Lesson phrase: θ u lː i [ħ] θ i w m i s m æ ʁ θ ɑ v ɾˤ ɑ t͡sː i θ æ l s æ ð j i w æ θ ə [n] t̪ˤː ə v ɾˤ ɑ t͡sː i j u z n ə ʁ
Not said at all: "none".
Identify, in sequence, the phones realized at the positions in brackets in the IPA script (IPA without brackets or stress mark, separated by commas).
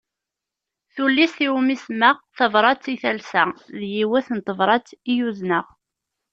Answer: s, n